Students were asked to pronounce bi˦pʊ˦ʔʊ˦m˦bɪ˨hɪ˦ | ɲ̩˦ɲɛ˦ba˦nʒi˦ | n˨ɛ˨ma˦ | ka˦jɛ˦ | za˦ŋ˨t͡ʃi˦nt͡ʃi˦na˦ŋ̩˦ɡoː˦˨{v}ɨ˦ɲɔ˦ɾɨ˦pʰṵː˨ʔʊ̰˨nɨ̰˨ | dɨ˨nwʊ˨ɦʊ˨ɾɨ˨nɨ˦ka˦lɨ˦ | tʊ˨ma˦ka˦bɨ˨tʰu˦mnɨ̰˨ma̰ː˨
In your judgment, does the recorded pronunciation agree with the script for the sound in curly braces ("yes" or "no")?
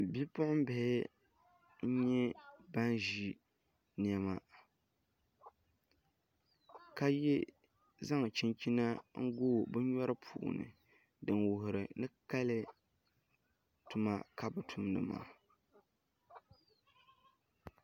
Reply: no